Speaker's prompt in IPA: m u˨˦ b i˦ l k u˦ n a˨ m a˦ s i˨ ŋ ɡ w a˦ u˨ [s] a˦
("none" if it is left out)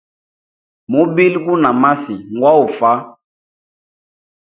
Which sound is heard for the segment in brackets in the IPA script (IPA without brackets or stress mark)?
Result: f